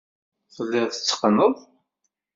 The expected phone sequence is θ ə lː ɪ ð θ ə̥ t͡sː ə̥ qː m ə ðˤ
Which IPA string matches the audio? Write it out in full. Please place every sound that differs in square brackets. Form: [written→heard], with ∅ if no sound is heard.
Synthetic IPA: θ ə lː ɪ [ð→ʁ] θ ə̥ t͡sː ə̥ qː [m→n] ə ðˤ